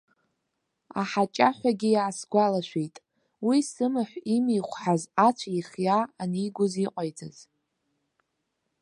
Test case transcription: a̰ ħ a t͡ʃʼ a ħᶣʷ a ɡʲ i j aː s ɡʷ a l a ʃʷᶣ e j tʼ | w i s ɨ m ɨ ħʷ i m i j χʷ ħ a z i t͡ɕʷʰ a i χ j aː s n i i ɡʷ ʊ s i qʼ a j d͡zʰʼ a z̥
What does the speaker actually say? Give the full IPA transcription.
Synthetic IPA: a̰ ħ a t͡ʃʼ a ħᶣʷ a ɡʲ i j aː s ɡʷ a l a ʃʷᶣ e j tʼ | w i s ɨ m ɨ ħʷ i m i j χʷ ħ a z a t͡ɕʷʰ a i χ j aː n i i ɡʷ ʊ z i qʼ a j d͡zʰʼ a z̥